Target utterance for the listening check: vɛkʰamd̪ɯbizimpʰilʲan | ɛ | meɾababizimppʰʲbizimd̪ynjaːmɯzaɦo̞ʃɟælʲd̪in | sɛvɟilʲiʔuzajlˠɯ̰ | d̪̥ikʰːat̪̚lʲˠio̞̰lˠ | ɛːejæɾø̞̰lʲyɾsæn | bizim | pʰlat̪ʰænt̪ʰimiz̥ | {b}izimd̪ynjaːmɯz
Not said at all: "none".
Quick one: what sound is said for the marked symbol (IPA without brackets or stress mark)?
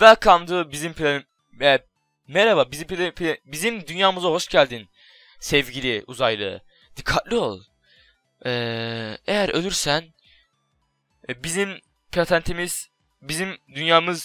b